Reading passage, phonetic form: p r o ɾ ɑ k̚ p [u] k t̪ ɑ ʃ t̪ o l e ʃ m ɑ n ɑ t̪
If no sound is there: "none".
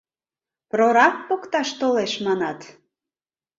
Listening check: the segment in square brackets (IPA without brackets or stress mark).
o